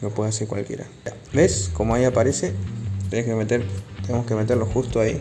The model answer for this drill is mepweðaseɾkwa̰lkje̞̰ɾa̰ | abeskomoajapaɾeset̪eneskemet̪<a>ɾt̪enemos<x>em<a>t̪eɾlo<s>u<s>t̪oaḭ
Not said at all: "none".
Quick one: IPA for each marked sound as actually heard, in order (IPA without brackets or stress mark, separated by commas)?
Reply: e, k, e, x, s